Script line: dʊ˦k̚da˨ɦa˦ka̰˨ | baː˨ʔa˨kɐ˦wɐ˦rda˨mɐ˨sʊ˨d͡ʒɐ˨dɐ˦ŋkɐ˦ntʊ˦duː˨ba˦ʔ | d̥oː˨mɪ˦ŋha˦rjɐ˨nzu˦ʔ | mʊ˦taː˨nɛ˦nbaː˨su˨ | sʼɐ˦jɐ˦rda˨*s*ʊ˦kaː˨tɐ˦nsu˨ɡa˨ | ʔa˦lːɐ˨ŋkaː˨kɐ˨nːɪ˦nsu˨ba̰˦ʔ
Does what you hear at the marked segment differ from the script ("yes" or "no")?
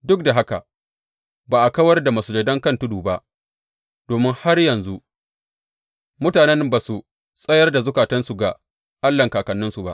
yes